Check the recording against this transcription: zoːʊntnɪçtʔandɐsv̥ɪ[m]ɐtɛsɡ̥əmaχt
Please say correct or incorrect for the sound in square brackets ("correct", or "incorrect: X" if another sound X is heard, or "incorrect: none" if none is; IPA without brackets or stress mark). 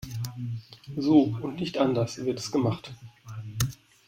incorrect: none